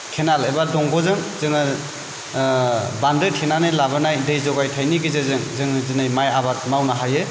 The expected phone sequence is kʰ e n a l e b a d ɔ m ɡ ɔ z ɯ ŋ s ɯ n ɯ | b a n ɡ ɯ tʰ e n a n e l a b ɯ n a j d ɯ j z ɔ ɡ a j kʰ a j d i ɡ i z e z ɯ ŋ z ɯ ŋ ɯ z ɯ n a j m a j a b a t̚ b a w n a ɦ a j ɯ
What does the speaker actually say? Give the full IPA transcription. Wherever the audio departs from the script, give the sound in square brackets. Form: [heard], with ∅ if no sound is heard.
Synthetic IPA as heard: kʰ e n a l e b a d ɔ [ŋ] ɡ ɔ z ɯ ŋ [z] ɯ [ŋ] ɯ | b a n [d] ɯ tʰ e n a n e l a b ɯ n a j d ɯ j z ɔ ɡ a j [tʰ] a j [n] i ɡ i z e z ɯ ŋ z ɯ ŋ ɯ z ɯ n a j m a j a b a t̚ [m] a w n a ɦ a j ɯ

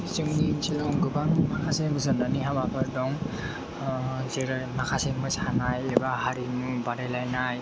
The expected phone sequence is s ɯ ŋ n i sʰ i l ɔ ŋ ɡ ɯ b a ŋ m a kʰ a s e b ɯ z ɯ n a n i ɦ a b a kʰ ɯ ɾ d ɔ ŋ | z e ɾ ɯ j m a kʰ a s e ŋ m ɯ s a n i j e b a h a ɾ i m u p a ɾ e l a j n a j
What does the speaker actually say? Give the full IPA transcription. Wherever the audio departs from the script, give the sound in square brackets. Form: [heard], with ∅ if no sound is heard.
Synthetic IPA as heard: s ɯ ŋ n i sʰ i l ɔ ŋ ɡ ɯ b a ŋ m a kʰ a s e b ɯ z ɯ n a n i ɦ a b a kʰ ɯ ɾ d ɔ ŋ | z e ɾ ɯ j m a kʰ a s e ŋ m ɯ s a n [a] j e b a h a ɾ i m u [b] a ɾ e l a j n a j

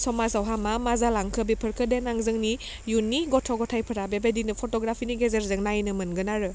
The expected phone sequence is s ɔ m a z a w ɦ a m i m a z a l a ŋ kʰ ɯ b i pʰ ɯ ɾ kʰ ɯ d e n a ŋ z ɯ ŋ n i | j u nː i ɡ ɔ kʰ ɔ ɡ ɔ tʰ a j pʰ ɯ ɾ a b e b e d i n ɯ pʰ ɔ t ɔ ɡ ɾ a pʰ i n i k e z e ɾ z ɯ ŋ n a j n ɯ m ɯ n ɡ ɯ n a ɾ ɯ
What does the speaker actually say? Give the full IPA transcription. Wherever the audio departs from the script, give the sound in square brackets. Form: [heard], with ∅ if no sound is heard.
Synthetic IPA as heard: s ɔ m a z a w ɦ a m [a] m a z a l a ŋ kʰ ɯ b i pʰ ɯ ɾ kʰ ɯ d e n a ŋ z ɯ ŋ n i | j u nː i ɡ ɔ [tʰ] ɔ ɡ ɔ tʰ a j pʰ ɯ ɾ a b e b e d i n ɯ pʰ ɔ t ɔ ɡ ɾ a pʰ i n i [ɡ] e z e ɾ z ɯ ŋ n a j n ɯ m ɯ n ɡ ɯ n a ɾ ɯ

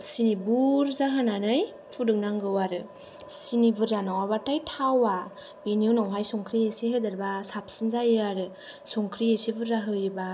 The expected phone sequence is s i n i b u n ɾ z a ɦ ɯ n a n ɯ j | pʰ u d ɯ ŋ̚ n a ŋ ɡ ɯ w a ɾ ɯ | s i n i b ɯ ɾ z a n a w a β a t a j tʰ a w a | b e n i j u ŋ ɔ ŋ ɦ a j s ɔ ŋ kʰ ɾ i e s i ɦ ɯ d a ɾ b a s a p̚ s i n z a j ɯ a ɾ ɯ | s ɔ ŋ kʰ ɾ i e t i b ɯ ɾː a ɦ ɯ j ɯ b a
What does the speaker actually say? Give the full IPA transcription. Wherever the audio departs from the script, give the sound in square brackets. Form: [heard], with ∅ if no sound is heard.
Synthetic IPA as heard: s i n i b u [∅] ɾ z a ɦ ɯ n a n ɯ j | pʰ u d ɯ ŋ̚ n a ŋ ɡ ɯ w a ɾ ɯ | s i n i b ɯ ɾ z a n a w a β a t a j tʰ a w a | b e n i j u [n] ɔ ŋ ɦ a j s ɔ ŋ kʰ ɾ i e s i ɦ ɯ d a ɾ b a s a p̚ s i n z a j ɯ a ɾ ɯ | s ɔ ŋ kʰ ɾ i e [s] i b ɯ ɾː a ɦ ɯ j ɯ b a

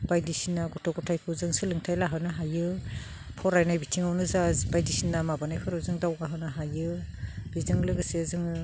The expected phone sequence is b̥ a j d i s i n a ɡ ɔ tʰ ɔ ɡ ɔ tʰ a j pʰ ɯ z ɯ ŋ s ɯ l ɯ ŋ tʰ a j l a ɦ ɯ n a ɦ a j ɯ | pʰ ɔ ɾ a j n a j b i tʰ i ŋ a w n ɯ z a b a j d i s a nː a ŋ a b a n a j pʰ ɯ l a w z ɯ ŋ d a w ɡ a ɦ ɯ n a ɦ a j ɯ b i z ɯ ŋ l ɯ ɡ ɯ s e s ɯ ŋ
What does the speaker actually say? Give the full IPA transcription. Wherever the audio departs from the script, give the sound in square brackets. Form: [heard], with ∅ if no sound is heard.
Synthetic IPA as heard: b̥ a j d i s i n a ɡ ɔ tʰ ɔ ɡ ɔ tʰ a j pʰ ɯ z ɯ ŋ s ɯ l ɯ ŋ tʰ a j l a ɦ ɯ n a ɦ a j ɯ | pʰ ɔ ɾ a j n a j b i tʰ i ŋ a w n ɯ z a b a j d i s [i] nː a [m] a b a n a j pʰ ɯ [ɾ] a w z ɯ ŋ d a w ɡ a ɦ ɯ n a ɦ a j ɯ b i z ɯ ŋ l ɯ ɡ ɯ s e [z] ɯ ŋ

